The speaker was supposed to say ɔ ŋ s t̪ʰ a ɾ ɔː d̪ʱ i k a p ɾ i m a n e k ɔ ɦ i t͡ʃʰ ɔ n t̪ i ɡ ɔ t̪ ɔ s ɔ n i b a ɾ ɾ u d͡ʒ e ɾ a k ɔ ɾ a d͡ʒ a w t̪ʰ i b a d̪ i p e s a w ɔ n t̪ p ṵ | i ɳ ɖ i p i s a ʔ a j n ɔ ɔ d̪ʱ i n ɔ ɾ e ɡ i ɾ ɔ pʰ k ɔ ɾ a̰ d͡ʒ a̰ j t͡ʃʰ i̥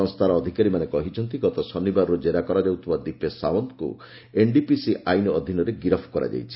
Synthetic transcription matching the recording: ɔ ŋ s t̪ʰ a ɾ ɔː d̪ʱ i k a ɾ i m a n e k ɔ ɦ i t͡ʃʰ ɔ n t̪ i ɡ ɔ t̪ ɔ s ɔ n i b a ɾ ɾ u d͡ʒ e ɾ a k ɔ ɾ a d͡ʒ a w t̪ʰ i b a d̪ i p e s a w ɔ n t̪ k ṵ | e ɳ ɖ i p i s i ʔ a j n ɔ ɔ d̪ʱ i n ɔ ɾ e ɡ i ɾ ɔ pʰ k ɔ ɾ a̰ d͡ʒ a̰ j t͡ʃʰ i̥